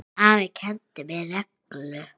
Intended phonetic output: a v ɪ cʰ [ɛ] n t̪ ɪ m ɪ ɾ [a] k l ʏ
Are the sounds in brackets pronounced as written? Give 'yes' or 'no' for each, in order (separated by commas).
yes, no